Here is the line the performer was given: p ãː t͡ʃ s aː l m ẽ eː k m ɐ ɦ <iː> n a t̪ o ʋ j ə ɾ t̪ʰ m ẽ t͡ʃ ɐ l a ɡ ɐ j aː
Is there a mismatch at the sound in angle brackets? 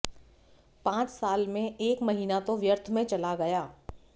no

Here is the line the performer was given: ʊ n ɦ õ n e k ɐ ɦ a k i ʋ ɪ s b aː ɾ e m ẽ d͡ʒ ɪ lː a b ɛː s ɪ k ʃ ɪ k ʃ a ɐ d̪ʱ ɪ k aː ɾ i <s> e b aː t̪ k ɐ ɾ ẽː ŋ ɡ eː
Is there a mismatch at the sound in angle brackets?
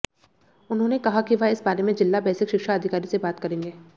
no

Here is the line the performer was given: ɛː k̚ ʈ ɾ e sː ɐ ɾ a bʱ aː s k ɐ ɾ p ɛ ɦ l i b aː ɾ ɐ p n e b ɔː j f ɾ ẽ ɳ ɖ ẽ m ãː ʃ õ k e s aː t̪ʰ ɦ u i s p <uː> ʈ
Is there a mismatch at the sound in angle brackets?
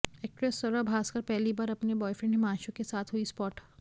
yes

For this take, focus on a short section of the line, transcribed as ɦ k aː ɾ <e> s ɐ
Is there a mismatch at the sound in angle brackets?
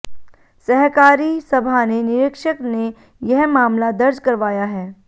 yes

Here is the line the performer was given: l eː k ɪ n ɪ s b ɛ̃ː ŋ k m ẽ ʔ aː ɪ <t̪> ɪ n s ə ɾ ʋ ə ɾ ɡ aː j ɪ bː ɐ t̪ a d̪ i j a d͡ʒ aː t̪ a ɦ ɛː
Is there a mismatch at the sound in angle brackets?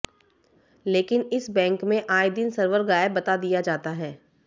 yes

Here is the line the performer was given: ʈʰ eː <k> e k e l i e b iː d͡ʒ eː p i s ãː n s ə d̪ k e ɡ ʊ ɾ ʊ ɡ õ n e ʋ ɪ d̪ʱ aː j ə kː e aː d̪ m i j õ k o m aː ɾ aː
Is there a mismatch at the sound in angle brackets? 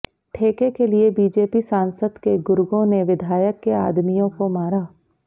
no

